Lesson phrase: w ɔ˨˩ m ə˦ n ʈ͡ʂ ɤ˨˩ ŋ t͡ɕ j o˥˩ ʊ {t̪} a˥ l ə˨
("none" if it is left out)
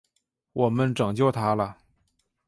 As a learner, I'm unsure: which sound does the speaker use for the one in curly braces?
t̪ʰ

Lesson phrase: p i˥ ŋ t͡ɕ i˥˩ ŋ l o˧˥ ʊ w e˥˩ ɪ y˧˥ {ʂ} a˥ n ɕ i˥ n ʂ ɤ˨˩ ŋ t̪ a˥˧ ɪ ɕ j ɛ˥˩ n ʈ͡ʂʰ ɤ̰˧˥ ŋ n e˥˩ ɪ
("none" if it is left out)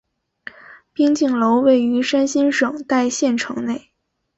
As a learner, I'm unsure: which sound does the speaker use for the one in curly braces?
ʂ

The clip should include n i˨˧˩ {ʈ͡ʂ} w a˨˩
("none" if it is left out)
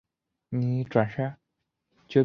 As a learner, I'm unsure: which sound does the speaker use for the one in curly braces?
ʈ͡ʂ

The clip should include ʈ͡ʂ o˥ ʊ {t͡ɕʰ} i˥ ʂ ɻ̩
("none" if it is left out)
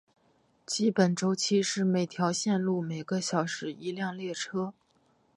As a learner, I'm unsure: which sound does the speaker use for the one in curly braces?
t͡ɕʰ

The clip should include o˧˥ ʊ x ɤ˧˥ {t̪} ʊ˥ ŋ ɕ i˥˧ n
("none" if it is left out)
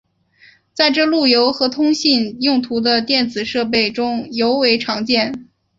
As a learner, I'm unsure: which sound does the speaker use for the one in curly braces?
t̪ʰ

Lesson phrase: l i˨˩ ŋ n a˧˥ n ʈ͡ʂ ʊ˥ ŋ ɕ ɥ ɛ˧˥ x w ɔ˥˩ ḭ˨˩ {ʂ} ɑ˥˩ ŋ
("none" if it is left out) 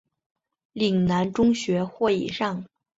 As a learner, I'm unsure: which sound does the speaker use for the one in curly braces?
ʂ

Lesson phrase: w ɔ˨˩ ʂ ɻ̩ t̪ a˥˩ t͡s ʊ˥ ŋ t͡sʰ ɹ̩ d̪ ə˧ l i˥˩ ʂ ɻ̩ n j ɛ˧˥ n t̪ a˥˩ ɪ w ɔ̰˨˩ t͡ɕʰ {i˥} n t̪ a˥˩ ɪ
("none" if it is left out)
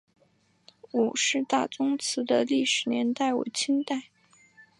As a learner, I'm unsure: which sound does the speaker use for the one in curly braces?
i˥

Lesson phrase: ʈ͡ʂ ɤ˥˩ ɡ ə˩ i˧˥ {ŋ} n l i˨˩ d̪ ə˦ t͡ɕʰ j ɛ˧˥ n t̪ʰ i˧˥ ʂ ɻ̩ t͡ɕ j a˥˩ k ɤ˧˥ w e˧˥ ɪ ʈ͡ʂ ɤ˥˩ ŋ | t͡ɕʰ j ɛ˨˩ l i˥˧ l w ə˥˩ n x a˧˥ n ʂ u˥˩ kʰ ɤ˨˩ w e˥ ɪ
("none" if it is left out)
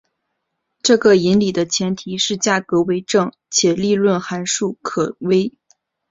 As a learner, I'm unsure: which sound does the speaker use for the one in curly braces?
none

